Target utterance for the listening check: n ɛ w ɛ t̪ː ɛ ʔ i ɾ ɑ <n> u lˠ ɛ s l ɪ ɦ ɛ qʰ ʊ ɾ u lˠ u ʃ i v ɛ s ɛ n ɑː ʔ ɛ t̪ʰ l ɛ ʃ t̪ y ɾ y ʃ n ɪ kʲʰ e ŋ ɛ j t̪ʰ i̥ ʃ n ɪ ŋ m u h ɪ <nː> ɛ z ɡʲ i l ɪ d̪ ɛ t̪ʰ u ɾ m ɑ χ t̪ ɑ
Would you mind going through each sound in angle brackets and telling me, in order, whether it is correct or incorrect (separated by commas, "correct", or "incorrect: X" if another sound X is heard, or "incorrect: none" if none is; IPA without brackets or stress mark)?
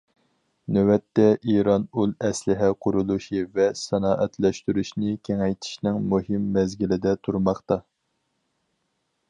correct, incorrect: mː